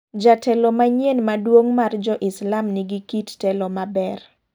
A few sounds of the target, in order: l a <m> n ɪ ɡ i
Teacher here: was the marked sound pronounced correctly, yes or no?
yes